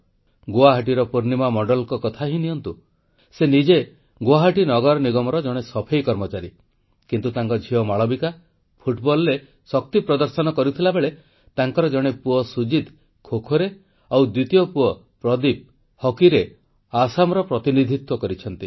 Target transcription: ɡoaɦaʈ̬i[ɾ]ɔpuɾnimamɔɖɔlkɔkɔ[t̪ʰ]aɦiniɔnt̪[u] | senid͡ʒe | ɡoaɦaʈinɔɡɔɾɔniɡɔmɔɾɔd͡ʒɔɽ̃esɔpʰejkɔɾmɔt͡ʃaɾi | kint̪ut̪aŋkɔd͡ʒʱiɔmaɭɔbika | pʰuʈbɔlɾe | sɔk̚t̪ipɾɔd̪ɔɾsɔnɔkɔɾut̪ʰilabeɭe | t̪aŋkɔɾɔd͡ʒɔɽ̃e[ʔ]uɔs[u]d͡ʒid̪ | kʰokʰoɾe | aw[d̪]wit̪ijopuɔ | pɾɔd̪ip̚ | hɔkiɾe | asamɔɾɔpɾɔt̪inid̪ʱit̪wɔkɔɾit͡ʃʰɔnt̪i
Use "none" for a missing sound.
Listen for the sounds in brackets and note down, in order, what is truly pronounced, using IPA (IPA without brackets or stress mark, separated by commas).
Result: ɾ, t̪ʰ, u, p, u, d̪